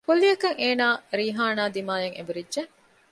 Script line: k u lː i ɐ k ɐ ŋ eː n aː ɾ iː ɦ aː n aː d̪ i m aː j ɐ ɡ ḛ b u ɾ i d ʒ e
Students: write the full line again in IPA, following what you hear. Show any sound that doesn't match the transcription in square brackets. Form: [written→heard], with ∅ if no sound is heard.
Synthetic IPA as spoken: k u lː i ɐ k ɐ ŋ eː n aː ɾ iː ɦ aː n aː d̪ i m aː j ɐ [ɡ→ŋ] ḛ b u ɾ i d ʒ e